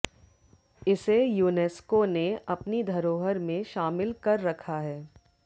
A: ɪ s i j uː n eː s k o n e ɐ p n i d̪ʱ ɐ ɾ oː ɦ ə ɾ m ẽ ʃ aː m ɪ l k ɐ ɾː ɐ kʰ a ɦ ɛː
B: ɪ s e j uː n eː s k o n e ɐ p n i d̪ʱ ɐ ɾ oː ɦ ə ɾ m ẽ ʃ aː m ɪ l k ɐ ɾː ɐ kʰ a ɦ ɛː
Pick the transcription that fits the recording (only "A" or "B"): B